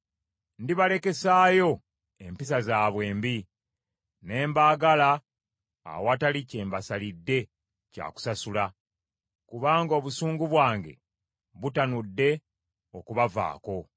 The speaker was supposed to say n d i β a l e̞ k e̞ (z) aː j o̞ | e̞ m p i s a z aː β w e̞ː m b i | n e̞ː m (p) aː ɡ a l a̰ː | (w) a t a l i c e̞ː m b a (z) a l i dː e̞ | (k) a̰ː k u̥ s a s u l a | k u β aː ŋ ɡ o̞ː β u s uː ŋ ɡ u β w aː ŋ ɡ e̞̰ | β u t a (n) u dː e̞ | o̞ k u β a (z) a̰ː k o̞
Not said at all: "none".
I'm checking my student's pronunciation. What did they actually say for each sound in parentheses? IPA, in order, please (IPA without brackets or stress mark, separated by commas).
s, b, w, s, c, n, v